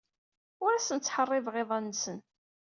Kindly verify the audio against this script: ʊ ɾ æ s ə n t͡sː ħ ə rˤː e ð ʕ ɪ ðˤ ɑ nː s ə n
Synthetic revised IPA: ʊ ɾ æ s ə n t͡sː ħ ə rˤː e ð ʁ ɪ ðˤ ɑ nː s ə n